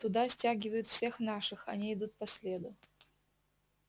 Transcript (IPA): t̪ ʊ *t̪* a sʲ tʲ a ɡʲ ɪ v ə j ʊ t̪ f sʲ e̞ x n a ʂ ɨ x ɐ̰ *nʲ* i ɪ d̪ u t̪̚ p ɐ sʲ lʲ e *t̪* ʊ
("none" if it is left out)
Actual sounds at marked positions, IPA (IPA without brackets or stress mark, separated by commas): d̪, nʲ, d̪